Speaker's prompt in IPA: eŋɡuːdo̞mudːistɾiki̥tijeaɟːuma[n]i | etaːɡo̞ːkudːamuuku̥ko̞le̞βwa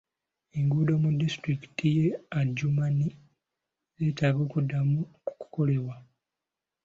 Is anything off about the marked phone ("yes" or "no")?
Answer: no